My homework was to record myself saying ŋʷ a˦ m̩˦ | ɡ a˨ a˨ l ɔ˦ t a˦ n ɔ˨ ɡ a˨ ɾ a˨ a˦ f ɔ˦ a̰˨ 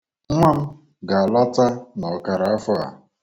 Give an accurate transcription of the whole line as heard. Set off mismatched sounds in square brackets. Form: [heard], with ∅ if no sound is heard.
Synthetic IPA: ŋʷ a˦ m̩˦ | ɡ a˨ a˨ l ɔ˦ t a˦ n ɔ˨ [k] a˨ ɾ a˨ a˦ f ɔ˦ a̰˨

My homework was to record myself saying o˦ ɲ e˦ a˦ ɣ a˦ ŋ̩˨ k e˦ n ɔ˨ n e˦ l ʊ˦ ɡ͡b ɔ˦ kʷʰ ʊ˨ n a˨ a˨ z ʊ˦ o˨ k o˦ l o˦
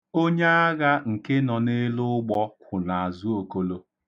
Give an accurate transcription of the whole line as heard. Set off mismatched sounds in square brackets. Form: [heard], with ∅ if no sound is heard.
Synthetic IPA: o˦ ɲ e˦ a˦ ɣ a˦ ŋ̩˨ k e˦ n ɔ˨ n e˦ l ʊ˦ ɡ͡b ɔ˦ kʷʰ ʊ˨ n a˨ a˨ z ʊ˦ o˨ k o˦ l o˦

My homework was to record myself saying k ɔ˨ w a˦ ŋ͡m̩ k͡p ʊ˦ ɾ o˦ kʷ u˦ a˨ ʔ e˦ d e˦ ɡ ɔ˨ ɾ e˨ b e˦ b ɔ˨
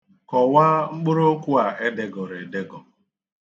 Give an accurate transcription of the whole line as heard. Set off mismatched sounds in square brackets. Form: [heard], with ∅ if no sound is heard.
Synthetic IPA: k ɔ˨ w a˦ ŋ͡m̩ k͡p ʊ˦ ɾ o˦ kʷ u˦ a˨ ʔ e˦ d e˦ ɡ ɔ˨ ɾ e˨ [d] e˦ [ɡ] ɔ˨

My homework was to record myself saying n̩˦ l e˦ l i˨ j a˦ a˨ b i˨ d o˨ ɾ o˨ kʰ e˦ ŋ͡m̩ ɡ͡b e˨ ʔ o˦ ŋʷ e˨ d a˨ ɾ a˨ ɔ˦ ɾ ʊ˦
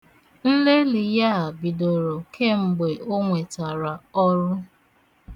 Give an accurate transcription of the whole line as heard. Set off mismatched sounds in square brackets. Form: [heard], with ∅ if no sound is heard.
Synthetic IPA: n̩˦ l e˦ l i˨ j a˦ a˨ b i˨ d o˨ ɾ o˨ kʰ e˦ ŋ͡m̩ ɡ͡b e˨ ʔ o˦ ŋʷ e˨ [t] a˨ ɾ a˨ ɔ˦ ɾ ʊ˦

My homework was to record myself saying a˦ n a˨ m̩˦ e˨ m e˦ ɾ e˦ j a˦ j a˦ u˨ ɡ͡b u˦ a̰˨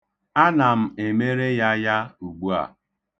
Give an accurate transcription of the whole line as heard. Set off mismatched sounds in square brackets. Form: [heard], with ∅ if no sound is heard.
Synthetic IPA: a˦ n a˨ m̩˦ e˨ m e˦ ɾ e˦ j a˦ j a˦ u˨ ɡ͡b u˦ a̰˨

